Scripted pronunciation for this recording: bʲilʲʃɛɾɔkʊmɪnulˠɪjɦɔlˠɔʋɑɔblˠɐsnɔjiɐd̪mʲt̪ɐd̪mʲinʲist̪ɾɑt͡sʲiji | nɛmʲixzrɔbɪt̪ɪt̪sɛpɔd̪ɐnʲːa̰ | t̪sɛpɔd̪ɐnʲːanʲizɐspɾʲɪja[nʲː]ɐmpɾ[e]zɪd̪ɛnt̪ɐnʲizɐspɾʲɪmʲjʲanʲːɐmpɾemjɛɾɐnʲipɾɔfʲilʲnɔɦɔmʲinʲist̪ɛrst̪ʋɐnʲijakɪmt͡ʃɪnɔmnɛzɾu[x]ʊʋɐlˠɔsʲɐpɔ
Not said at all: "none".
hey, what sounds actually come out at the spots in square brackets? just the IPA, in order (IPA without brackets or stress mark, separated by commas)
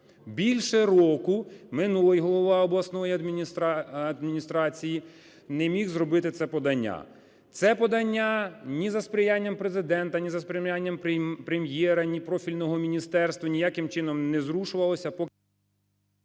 nʲː, e, ʃ